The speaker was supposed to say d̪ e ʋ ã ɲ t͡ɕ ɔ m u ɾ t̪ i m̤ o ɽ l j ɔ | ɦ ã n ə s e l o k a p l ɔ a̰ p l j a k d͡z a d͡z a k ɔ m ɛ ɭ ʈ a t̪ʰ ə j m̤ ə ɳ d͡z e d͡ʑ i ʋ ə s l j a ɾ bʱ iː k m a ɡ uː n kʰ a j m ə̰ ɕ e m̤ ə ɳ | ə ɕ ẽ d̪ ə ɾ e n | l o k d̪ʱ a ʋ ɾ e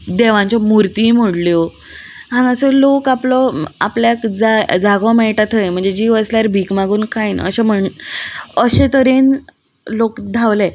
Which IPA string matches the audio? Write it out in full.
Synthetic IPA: d̪ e ʋ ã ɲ t͡ɕ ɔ m u ɾ t̪ i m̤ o ɽ l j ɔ | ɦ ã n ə s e l o k a p l ɔ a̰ p l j a k d͡z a d͡z a ɡ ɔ m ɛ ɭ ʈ a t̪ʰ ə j m̤ ə ɳ d͡z e d͡ʑ i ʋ ə s l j a ɾ bʱ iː k m a ɡ uː n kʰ a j n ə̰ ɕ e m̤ ə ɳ | ə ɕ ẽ t̪ ə ɾ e n | l o k d̪ʱ a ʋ l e